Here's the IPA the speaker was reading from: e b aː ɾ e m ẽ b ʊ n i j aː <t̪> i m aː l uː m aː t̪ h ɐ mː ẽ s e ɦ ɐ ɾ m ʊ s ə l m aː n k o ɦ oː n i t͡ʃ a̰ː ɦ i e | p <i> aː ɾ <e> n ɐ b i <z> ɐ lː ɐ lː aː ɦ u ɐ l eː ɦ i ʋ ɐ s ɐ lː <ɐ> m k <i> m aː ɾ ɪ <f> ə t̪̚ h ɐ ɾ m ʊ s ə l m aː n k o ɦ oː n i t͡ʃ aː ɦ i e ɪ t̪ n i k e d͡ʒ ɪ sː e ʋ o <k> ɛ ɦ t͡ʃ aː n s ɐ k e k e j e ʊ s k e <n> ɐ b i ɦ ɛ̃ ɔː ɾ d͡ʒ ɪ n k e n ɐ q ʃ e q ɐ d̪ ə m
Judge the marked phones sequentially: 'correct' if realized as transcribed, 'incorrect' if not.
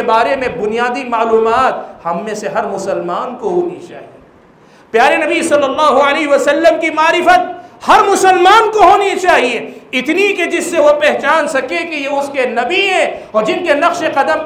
incorrect, incorrect, correct, incorrect, incorrect, correct, correct, incorrect, correct

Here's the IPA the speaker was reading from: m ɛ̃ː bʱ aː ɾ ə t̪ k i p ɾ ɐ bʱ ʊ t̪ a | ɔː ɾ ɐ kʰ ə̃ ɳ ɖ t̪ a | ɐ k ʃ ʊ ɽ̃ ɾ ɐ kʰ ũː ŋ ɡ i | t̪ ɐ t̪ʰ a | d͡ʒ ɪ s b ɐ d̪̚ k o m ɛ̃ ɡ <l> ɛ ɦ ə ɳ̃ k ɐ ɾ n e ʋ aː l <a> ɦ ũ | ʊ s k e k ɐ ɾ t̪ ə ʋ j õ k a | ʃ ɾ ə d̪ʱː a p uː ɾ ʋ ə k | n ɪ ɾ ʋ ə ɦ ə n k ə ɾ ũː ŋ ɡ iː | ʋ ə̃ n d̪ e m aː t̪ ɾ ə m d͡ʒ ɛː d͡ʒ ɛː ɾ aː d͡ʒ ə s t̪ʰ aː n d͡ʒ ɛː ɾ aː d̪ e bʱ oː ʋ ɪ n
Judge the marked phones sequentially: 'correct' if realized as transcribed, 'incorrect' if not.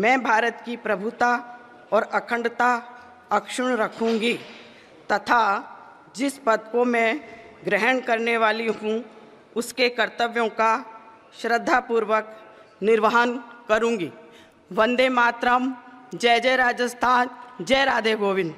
incorrect, incorrect

